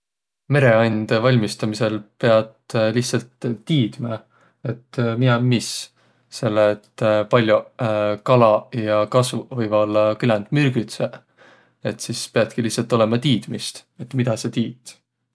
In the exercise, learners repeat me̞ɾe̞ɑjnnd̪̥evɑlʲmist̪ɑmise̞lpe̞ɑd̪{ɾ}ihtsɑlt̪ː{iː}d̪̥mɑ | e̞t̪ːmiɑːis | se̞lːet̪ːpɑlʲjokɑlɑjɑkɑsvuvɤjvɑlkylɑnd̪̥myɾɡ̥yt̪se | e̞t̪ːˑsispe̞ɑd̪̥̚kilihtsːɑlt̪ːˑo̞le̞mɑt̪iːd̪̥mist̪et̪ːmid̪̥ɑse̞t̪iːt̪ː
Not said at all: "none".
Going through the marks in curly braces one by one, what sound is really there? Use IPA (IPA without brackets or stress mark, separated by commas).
l, iː